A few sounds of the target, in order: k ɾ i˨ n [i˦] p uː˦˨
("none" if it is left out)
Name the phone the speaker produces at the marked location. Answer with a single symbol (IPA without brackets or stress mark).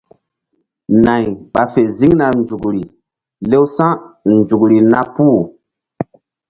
a˦